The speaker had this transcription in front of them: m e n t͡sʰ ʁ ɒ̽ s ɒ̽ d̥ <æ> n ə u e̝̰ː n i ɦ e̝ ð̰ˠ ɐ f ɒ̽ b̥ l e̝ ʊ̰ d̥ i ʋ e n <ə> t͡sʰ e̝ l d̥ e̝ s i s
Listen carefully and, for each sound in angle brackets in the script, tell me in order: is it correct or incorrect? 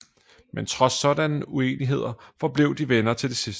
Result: correct, incorrect: ɐ

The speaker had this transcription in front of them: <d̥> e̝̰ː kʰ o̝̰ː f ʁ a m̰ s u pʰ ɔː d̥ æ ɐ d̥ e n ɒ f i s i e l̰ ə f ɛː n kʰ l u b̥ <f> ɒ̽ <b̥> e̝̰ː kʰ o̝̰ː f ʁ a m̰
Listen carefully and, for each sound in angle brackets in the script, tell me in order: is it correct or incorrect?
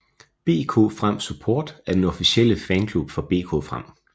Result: incorrect: b̥, correct, correct

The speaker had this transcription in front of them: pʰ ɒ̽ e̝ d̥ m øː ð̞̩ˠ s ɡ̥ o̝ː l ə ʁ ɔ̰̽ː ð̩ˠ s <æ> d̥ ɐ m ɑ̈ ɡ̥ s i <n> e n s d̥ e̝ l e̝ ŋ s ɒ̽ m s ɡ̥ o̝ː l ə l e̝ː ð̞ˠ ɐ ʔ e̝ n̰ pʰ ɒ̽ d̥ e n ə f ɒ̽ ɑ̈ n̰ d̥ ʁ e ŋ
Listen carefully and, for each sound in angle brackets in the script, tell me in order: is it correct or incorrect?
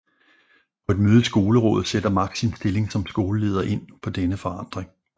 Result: incorrect: e, incorrect: none

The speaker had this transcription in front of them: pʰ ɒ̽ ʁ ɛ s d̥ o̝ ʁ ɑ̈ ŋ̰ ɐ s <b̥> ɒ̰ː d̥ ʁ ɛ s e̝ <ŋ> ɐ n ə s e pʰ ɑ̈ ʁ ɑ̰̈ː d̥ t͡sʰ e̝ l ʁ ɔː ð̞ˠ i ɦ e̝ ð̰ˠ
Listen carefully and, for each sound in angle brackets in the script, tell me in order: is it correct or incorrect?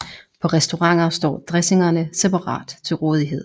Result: incorrect: d̥, correct

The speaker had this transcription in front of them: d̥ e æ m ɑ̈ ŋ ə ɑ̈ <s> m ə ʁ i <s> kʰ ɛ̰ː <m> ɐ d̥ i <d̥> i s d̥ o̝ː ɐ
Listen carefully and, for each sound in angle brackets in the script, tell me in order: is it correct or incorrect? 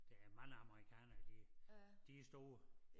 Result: incorrect: none, incorrect: none, incorrect: n, correct

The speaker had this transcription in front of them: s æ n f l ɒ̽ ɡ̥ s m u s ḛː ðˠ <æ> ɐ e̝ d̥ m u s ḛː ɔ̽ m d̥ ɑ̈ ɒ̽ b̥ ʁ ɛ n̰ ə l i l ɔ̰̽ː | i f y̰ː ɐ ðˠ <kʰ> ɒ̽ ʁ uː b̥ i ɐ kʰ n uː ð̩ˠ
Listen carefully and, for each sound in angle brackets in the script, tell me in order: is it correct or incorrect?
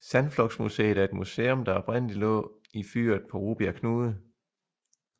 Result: correct, incorrect: pʰ

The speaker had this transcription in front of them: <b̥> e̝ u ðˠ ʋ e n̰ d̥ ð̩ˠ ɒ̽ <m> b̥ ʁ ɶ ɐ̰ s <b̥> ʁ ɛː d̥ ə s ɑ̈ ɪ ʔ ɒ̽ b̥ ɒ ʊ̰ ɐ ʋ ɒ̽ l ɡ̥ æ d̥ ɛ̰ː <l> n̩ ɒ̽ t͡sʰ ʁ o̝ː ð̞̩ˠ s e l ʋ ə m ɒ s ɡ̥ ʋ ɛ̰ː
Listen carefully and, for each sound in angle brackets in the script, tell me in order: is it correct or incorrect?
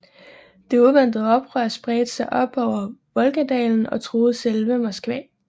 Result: incorrect: d̥, incorrect: none, correct, correct

